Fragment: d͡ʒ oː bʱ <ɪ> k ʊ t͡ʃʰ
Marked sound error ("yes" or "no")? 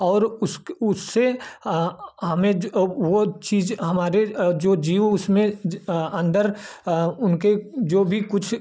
yes